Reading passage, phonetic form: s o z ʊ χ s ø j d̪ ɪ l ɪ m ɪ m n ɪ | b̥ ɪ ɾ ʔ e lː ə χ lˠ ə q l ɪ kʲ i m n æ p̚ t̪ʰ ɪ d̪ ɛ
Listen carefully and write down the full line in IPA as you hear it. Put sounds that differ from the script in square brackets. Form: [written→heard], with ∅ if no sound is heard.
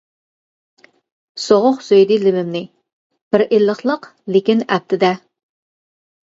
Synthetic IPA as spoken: s o [z→ʁ] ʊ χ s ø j d̪ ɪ l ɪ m ɪ m n ɪ | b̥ ɪ ɾ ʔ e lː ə χ lˠ ə q l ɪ kʲ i [m→∅] n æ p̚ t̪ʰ ɪ d̪ ɛ

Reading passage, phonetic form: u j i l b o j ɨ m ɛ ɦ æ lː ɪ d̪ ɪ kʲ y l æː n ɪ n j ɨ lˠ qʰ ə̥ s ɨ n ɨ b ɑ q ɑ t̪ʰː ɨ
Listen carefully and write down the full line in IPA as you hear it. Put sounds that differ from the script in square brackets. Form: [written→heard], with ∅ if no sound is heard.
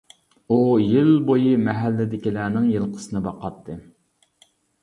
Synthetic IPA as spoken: u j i l b o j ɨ m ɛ ɦ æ lː ɪ d̪ ɪ kʲ [y→i] l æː n ɪ [n→ŋ] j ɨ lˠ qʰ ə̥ s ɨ n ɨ b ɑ q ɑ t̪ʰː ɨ

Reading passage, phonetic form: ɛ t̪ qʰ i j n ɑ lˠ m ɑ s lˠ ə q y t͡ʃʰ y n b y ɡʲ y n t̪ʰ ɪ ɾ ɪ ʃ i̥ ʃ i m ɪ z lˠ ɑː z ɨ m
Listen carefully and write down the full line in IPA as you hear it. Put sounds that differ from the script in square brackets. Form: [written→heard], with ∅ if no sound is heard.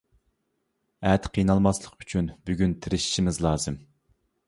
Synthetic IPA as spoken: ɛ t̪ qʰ i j n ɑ lˠ m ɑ s lˠ ə q y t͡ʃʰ y n b y ɡʲ y n t̪ʰ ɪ ɾ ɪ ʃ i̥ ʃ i m ɪ z lˠ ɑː z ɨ m

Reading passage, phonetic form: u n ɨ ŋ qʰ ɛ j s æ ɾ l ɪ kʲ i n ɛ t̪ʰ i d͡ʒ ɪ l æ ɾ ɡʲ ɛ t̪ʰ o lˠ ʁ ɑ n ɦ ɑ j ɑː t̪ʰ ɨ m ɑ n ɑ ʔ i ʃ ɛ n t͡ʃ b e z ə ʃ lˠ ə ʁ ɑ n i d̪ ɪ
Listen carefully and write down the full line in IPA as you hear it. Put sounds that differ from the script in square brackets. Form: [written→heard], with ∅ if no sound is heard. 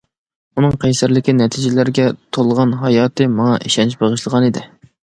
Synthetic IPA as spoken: u n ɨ ŋ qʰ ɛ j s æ ɾ l ɪ kʲ i n ɛ t̪ʰ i d͡ʒ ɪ l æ ɾ ɡʲ ɛ t̪ʰ o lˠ ʁ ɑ n ɦ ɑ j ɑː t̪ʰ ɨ m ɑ [n→ŋ] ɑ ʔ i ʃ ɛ n t͡ʃ b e [z→ʁ] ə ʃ lˠ ə ʁ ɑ n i d̪ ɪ

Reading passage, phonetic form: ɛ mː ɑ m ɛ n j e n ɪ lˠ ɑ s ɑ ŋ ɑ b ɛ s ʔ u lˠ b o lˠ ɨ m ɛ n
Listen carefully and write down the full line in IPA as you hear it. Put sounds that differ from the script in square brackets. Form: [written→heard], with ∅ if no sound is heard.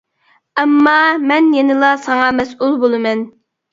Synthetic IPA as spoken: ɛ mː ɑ m ɛ n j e n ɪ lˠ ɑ s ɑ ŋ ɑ [b→m] ɛ s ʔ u lˠ b o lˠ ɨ m ɛ n

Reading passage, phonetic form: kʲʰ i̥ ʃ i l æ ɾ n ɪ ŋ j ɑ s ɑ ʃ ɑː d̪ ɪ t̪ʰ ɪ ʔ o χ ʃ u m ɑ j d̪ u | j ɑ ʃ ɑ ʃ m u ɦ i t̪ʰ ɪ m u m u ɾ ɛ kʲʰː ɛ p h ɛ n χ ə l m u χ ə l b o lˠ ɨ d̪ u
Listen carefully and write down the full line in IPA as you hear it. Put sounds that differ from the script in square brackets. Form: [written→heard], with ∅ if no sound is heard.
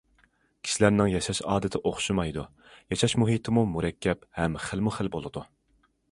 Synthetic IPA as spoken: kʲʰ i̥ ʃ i l æ ɾ n ɪ ŋ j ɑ [s→ʃ] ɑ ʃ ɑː d̪ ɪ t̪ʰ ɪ ʔ o χ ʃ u m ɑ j d̪ u | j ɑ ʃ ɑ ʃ m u ɦ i t̪ʰ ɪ m u m u ɾ ɛ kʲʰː ɛ p h ɛ [n→m] χ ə l m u χ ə l b o lˠ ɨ d̪ u

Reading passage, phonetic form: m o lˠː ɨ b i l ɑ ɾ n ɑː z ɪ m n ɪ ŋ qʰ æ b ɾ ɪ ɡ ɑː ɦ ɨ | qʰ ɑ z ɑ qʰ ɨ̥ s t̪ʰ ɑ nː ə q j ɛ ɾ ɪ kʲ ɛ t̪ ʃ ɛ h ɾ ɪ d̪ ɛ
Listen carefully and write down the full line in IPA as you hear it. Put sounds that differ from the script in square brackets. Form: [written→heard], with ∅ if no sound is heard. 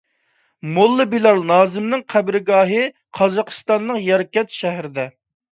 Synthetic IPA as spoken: m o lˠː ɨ b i l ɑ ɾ n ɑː z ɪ m n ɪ ŋ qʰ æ b ɾ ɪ ɡ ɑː ɦ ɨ | qʰ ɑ z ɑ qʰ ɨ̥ s [t̪ʰ→t̪] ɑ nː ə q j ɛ ɾ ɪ kʲ ɛ t̪ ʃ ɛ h ɾ ɪ d̪ ɛ

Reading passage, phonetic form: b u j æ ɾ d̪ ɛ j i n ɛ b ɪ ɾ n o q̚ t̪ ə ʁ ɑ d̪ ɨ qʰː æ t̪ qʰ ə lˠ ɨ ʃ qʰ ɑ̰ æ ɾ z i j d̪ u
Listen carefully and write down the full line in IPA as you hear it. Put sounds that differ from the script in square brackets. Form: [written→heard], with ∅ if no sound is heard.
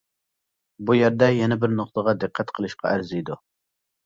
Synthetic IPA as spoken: b u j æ ɾ d̪ ɛ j [i→ɛ] n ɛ b ɪ ɾ n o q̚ t̪ ə ʁ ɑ d̪ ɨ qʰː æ t̪ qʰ ə lˠ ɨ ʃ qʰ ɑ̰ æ ɾ z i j d̪ u

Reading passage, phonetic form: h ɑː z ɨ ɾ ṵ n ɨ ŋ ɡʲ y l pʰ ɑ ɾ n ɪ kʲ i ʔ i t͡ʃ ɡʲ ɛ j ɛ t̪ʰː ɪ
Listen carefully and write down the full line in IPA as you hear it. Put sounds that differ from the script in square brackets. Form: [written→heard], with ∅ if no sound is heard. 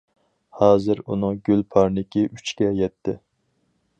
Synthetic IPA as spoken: h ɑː z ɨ ɾ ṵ n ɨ ŋ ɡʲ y l pʰ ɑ ɾ n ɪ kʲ i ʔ [i→y] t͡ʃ [ɡʲ→kʲ] ɛ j ɛ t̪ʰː ɪ

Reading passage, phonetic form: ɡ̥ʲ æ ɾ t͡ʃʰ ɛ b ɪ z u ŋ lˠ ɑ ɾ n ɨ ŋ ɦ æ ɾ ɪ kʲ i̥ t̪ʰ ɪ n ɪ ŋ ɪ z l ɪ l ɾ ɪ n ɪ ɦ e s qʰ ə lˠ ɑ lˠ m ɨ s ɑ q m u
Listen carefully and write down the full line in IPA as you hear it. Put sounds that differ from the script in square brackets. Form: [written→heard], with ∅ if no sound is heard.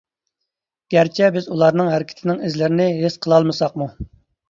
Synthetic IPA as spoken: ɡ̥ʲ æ ɾ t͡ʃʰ ɛ b ɪ z u [ŋ→∅] lˠ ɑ ɾ n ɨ ŋ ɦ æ ɾ ɪ kʲ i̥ t̪ʰ ɪ n ɪ ŋ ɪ z l ɪ [l→∅] ɾ ɪ n ɪ ɦ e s qʰ ə lˠ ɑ lˠ m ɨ s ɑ q m u

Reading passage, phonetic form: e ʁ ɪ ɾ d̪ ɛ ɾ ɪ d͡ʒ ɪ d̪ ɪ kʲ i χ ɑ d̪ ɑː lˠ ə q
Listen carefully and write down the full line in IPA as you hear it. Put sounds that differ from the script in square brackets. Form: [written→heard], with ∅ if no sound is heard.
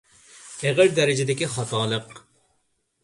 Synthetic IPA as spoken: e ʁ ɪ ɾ d̪ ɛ ɾ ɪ d͡ʒ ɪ d̪ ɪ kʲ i χ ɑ [d̪→t̪] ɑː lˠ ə q

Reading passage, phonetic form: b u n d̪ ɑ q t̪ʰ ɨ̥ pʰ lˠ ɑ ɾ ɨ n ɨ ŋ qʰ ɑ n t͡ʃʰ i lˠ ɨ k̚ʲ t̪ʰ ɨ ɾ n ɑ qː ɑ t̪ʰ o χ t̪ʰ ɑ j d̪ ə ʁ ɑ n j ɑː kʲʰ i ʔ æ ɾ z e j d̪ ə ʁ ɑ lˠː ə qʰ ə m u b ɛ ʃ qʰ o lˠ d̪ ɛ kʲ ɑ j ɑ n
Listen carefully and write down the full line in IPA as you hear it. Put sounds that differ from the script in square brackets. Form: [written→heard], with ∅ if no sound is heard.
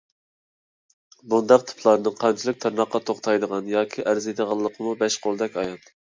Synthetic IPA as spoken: b u n d̪ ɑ q t̪ʰ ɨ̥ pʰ lˠ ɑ ɾ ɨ n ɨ ŋ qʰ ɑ n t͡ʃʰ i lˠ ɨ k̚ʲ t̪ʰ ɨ ɾ n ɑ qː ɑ t̪ʰ o χ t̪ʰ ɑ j d̪ ə ʁ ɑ n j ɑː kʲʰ i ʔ æ ɾ z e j d̪ ə ʁ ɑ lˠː ə qʰ ə m u b ɛ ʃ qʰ o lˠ d̪ ɛ kʲ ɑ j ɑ n

